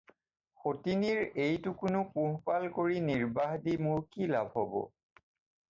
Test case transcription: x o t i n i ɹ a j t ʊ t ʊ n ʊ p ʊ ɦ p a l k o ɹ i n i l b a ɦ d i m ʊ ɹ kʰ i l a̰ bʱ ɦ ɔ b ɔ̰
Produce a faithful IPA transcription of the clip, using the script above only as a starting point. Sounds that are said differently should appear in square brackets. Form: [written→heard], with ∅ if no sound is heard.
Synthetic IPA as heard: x o t i n i ɹ [a→e] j t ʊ [t→k] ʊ n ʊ p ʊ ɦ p a l k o ɹ i n i [l→ɹ] b a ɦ d i m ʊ ɹ [kʰ→k] i l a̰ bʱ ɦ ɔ b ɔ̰